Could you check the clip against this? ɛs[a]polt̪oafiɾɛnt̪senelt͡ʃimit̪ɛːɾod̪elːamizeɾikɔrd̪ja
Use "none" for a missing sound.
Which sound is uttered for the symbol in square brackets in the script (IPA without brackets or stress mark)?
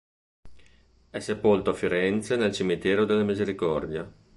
e